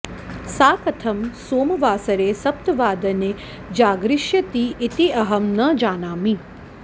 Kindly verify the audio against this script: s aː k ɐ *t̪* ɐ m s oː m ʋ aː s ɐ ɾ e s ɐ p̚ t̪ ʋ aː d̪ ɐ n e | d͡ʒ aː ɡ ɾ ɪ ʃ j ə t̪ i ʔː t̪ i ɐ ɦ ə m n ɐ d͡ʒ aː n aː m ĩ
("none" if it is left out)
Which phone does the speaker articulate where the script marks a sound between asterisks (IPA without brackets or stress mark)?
t̪ʰ